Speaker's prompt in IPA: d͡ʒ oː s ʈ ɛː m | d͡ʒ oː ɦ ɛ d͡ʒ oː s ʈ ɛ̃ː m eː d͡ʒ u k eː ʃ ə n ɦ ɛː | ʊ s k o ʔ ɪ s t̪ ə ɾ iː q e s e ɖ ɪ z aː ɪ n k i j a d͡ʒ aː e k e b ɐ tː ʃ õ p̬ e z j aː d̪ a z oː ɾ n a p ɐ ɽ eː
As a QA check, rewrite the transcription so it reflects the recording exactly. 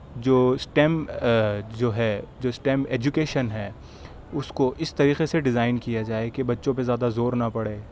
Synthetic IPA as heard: d͡ʒ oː s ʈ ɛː m | d͡ʒ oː ɦ ɛ d͡ʒ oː s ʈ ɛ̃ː m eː d͡ʒ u k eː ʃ ə n ɦ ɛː | ʊ s k o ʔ ɪ s t̪ ɐ ɾ iː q e s e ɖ ɪ z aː ɪ n k i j a d͡ʒ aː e k e b ɐ tː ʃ õ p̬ e z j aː d̪ a z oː ɾ n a p ɐ ɽ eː